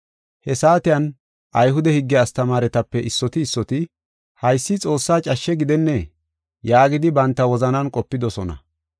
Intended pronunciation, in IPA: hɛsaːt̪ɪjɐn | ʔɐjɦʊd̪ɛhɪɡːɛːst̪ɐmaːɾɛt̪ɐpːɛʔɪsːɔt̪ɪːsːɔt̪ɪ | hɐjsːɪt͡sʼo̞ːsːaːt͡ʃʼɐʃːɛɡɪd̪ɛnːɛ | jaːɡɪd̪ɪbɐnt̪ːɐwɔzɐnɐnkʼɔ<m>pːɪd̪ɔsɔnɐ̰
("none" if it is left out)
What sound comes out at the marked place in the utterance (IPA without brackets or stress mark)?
none